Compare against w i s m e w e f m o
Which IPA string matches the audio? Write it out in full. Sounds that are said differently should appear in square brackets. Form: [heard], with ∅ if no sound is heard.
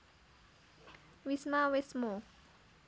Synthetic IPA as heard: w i s m [a] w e [s] m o